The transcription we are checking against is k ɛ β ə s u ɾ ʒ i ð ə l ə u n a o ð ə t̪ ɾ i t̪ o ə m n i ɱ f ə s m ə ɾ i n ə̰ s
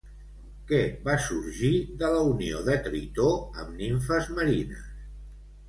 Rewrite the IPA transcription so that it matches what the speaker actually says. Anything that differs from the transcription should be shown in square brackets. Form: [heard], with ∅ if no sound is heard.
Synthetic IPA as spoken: k ɛ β [a] s u ɾ ʒ i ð ə l ə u n [i] o ð ə t̪ ɾ i t̪ o ə m n i ɱ f ə [z] m ə ɾ i n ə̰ s